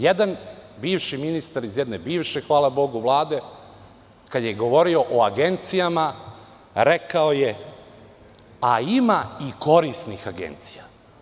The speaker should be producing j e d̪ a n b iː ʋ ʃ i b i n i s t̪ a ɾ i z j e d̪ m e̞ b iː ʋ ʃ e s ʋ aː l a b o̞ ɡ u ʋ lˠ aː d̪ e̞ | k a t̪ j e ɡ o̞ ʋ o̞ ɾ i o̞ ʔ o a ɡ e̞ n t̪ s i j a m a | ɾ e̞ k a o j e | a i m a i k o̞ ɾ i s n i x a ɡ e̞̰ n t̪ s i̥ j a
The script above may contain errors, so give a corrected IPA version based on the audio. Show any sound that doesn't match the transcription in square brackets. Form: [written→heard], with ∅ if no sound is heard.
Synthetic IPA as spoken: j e d̪ a n b iː ʋ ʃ i [b→m] i n i s t̪ a ɾ i z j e d̪ [m→n] e̞ b iː ʋ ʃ e [s→x] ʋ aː l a b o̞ ɡ u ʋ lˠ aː d̪ e̞ | k a [t̪→d̪] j e ɡ o̞ ʋ o̞ ɾ i o̞ ʔ o a ɡ e̞ n t̪ s i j a m a | ɾ e̞ k a o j e | a i m a i k o̞ ɾ i s n i x a ɡ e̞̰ n t̪ s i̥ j a